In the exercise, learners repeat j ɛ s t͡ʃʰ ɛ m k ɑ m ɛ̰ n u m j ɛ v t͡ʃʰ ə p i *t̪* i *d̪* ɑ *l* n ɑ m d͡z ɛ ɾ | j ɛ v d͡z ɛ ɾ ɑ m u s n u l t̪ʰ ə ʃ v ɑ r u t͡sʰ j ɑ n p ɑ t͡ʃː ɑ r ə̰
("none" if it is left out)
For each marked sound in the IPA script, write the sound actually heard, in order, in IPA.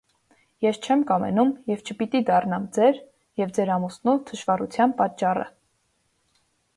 t̪, d̪, r

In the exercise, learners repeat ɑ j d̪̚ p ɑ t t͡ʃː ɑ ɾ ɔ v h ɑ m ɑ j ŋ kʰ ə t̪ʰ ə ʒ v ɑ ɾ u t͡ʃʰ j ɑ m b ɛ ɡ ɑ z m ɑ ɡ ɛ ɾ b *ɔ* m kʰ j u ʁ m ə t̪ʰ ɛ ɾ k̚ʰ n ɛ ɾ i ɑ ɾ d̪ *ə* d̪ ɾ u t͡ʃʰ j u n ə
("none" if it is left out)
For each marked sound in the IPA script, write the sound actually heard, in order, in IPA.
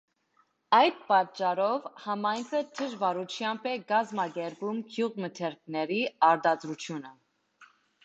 u, ɑ

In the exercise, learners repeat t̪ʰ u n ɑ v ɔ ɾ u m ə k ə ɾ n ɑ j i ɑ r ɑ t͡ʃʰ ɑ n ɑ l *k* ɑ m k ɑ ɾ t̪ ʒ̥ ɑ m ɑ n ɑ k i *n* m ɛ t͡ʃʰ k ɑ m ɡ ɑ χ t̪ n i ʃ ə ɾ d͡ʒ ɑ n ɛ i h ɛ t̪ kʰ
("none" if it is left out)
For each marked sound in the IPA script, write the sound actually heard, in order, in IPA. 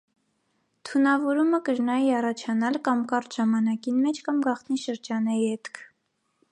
k, n

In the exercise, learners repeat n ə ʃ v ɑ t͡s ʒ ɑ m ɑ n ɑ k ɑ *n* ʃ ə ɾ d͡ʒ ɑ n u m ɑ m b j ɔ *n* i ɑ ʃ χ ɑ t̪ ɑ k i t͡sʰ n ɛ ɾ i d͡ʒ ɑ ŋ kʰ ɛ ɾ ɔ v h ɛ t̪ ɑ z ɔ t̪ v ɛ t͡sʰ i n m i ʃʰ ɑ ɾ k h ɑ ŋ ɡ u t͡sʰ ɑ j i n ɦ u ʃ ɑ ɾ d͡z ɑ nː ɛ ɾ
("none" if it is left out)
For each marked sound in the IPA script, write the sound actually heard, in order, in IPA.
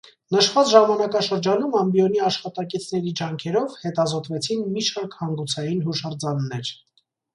none, n

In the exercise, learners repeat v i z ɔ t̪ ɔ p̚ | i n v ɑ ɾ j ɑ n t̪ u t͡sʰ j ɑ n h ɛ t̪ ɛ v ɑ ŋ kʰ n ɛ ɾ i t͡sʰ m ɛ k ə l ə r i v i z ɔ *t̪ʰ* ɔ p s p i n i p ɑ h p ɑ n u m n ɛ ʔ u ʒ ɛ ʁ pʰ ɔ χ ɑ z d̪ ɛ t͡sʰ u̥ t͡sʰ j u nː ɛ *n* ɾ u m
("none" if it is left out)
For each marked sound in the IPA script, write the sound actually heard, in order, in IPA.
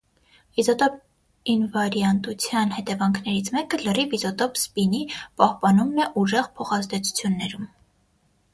t̪, none

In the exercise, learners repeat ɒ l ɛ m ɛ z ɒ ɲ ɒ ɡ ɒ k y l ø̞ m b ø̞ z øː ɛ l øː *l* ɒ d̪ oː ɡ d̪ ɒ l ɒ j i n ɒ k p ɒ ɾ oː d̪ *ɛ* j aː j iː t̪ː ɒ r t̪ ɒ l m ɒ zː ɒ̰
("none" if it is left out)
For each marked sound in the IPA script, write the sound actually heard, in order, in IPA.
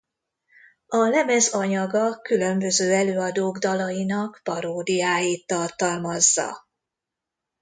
none, i

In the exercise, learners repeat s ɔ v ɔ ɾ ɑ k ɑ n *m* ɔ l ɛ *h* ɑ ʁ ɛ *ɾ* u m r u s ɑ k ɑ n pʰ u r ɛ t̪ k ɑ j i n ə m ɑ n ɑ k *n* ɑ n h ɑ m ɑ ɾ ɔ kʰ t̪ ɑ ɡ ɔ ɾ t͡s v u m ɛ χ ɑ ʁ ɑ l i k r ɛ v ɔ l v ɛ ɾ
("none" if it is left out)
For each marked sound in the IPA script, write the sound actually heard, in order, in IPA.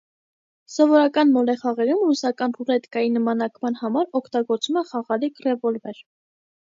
m, χ, ɾ, m

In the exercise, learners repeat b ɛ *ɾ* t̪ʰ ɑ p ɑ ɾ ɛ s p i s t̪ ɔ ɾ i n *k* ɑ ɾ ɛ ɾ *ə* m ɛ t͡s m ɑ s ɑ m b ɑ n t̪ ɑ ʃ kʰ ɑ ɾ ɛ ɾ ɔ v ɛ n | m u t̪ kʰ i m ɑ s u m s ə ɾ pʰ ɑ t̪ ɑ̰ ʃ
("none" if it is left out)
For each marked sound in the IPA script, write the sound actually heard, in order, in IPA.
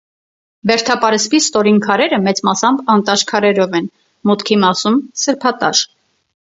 ɾ, kʰ, ə

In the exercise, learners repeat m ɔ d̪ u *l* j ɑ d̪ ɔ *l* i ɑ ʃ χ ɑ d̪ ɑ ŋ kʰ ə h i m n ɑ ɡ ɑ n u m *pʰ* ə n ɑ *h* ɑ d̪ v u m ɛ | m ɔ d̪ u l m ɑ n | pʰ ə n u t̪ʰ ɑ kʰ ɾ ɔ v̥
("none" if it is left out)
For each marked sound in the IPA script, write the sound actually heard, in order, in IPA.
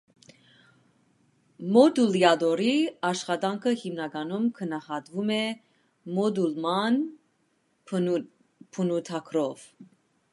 l, ɾ, kʰ, h

